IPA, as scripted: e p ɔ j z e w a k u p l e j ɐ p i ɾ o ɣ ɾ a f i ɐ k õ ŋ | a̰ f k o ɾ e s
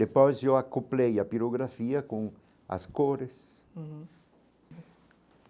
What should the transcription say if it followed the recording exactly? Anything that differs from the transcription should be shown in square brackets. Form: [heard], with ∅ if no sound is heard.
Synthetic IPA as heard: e p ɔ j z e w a k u p l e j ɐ p i ɾ o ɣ ɾ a f i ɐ k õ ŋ | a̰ [s] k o ɾ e s